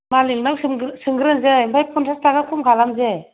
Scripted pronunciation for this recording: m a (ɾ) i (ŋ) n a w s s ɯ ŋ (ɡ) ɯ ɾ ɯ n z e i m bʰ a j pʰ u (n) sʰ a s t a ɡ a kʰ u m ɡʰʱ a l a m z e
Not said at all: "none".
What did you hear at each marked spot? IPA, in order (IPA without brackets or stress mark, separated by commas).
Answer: l, ŋ, ɡ, n